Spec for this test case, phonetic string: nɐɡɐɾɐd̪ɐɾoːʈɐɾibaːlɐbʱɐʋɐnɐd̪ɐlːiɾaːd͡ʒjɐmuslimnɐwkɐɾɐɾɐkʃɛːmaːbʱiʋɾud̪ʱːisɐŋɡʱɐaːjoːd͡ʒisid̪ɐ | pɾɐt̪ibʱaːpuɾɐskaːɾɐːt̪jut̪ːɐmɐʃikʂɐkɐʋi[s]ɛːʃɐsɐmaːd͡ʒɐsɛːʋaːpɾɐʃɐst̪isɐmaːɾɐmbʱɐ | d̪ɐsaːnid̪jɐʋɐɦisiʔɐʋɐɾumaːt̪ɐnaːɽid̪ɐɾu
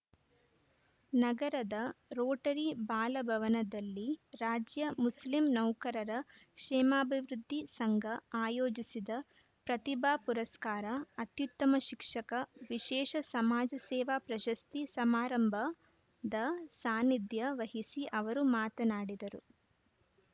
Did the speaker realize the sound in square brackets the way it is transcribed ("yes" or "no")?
no